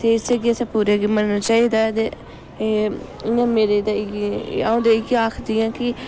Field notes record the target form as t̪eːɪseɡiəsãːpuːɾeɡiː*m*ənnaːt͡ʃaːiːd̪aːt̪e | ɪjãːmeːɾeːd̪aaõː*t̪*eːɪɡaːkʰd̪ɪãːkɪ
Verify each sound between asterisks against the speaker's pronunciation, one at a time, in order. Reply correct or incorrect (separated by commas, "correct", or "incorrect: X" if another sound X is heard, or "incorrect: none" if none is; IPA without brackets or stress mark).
correct, incorrect: d̪